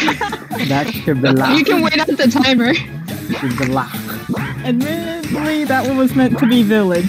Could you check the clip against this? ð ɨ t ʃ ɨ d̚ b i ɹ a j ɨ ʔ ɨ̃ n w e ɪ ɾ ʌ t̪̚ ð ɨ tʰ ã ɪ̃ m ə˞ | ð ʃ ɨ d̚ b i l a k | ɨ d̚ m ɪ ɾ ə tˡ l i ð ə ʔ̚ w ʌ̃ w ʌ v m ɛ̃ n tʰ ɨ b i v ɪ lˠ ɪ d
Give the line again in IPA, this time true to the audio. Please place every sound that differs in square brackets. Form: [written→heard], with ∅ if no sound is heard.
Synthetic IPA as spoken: ð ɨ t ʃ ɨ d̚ b i [ɹ→l] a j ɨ [ʔ→k] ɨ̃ n w e ɪ ɾ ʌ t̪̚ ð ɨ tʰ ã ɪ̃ m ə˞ | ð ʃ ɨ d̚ b i l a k | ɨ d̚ m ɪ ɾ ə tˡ l i ð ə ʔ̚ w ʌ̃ w ʌ [v→z] m ɛ̃ n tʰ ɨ b i v ɪ lˠ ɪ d